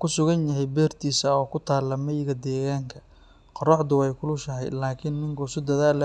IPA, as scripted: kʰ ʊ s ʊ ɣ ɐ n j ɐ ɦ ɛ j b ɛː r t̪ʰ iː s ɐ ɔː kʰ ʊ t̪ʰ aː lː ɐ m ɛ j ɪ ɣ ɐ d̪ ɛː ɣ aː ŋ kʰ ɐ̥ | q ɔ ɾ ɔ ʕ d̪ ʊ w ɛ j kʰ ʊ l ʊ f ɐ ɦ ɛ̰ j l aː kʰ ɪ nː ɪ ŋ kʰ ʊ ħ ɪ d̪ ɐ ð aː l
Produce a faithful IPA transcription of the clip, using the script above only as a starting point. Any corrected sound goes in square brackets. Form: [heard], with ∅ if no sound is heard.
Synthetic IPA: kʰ ʊ s ʊ ɣ ɐ n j ɐ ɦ ɛ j b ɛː r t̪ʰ iː s ɐ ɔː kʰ ʊ t̪ʰ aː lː ɐ m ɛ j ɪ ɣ ɐ d̪ ɛː ɣ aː ŋ kʰ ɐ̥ | q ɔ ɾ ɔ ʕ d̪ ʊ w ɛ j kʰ ʊ l ʊ [ʃ] ɐ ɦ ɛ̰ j l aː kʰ ɪ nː ɪ ŋ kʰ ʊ [s] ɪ d̪ ɐ ð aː l

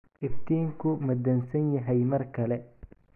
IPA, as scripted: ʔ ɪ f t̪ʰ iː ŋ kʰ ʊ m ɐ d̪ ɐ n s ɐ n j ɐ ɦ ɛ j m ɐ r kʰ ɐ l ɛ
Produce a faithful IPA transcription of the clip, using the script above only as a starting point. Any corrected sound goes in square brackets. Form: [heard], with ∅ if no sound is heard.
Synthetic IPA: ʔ ɪ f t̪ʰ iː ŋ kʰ ʊ m ɐ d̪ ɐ n s ɐ n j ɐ ɦ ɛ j m ɐ r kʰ ɐ l ɛ

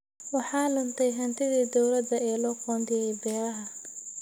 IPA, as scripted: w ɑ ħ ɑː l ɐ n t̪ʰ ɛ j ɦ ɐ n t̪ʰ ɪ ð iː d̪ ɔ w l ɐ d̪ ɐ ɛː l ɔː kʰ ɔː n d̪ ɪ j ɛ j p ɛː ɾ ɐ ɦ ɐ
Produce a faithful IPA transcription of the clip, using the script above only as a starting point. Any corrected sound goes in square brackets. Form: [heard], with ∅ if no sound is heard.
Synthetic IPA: w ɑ ħ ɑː l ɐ n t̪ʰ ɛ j ɦ ɐ n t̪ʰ ɪ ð iː d̪ ɔ w l ɐ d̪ ɐ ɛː l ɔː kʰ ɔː n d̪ ɪ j ɛ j [b] ɛː ɾ ɐ ɦ ɐ

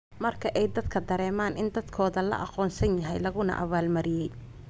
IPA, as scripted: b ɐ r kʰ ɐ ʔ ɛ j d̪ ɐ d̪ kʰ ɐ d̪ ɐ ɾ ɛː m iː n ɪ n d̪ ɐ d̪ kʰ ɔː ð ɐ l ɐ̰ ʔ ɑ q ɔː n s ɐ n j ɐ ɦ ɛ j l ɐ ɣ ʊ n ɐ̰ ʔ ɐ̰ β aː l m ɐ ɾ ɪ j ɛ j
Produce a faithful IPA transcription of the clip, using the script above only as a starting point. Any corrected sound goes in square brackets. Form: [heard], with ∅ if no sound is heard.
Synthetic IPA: [m] ɐ r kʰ ɐ ʔ ɛ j d̪ ɐ d̪ kʰ ɐ d̪ ɐ ɾ ɛː m [aː] n ɪ n d̪ ɐ d̪ kʰ ɔː ð ɐ l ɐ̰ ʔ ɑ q ɔː n s ɐ n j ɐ ɦ ɛ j l ɐ ɣ ʊ n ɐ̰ ʔ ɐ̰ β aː l m ɐ ɾ ɪ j ɛ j

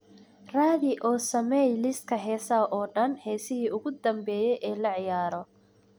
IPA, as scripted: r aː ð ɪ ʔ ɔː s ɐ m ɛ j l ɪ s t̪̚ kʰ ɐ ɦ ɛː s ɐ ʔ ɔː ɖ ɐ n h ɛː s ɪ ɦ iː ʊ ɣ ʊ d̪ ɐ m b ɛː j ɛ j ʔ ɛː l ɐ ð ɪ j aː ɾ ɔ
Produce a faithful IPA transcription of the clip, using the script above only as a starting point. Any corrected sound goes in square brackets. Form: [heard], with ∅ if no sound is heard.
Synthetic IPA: r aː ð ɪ ʔ ɔː s ɐ m ɛ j l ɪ s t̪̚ kʰ ɐ ɦ ɛː s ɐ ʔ ɔː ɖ ɐ n h ɛː s ɪ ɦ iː ʊ ɣ ʊ d̪ ɐ m b ɛː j ɛ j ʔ ɛː l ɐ [ʕ] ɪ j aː ɾ ɔ

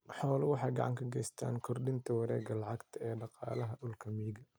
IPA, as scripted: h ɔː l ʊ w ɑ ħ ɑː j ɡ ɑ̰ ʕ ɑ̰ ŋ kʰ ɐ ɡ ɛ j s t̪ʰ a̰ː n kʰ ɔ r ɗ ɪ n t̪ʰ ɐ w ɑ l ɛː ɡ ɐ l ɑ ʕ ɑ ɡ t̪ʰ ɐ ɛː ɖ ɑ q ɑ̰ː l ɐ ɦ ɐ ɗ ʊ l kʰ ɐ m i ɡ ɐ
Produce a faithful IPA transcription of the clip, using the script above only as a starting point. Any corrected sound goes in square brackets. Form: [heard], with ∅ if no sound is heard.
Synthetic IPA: [ħ] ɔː l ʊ w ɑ ħ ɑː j ɡ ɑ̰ ʕ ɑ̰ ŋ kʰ ɐ ɡ ɛ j s t̪ʰ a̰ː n kʰ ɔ r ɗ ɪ n t̪ʰ ɐ w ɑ [ɾ] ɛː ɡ ɐ l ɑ ʕ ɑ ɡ t̪ʰ ɐ ɛː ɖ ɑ q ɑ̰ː l ɐ ɦ ɐ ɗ ʊ l kʰ ɐ m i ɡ ɐ

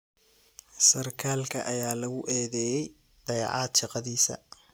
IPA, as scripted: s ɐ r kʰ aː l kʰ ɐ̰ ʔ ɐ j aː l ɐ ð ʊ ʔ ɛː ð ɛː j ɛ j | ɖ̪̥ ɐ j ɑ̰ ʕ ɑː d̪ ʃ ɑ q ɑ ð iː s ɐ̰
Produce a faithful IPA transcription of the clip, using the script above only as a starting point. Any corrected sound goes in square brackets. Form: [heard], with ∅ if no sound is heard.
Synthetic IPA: s ɐ r kʰ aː l kʰ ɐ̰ ʔ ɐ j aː l ɐ [ɣ] ʊ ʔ ɛː ð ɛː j ɛ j | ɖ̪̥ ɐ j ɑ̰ ʕ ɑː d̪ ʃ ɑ q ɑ ð iː s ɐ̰

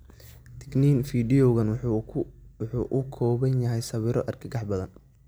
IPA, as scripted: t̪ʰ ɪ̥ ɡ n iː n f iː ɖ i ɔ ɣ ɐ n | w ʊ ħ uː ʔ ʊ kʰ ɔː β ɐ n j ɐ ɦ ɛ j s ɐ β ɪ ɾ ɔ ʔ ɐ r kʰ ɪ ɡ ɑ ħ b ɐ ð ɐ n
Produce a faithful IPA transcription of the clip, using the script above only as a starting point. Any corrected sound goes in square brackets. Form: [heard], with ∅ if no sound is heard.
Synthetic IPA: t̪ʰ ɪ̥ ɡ n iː n f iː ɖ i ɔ ɣ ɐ n | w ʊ ħ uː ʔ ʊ kʰ ɔː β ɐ n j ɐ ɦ ɛ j s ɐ β ɪ ɾ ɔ ʔ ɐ r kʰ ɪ ɡ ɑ ħ b ɐ ð ɐ n

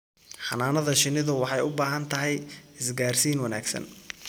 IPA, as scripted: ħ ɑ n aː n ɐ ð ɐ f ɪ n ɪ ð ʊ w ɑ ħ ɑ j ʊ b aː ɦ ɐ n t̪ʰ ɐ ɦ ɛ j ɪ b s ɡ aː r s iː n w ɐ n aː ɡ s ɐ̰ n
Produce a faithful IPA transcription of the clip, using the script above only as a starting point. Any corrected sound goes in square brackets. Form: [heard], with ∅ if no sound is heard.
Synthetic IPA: ħ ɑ n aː n ɐ ð ɐ [ʃ] ɪ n ɪ ð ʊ w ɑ ħ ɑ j ʊ b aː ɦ ɐ n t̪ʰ ɐ ɦ ɛ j ɪ [∅] s ɡ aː r s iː n w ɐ n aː ɡ s ɐ̰ n

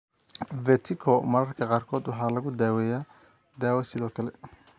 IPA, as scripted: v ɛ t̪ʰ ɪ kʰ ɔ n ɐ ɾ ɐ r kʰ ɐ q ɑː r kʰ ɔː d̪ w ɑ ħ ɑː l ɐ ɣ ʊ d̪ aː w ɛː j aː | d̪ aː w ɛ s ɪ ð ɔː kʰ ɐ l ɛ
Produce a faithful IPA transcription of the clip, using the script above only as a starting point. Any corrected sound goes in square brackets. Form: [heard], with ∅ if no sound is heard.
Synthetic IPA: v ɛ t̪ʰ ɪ kʰ ɔ [m] ɐ ɾ ɐ r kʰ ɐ q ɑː r kʰ ɔː d̪ w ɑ ħ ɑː l ɐ ɣ ʊ d̪ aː w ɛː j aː | d̪ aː w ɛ s ɪ ð ɔː kʰ ɐ l ɛ

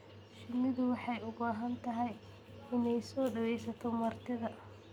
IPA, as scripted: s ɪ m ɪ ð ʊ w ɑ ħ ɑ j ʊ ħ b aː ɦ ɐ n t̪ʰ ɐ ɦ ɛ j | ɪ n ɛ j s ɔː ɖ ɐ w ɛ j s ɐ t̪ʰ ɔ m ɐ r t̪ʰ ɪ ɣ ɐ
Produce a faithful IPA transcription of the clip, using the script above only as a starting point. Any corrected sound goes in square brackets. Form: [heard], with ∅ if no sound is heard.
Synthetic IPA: [ʃ] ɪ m ɪ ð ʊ w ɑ ħ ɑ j ʊ [∅] b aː ɦ ɐ n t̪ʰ ɐ ɦ ɛ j | ɪ n ɛ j s ɔː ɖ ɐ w ɛ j s ɐ t̪ʰ ɔ m ɐ r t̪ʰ ɪ [ð] ɐ

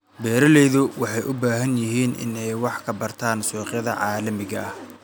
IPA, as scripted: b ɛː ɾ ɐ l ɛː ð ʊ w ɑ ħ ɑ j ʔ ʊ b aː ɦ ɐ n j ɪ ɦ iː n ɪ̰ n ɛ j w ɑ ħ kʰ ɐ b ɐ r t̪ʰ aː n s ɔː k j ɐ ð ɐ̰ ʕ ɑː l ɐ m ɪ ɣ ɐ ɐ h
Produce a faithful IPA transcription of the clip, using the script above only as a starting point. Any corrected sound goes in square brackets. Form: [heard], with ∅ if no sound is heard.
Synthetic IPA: b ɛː ɾ ɐ l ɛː ð ʊ w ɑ ħ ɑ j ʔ ʊ b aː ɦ ɐ n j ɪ ɦ iː n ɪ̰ n ɛ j w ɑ ħ kʰ ɐ b ɐ r t̪ʰ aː n s ɔː [q] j ɐ ð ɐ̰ ʕ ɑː l ɐ m ɪ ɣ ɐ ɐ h

